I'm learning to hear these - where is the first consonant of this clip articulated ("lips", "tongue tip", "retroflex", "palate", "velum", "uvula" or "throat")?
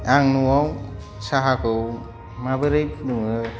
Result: velum